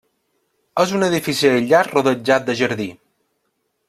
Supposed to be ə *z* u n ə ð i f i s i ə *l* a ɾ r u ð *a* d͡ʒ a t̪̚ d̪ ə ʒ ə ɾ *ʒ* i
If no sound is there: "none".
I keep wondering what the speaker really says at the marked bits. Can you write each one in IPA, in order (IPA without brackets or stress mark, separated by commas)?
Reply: z, ʎ, ə, ð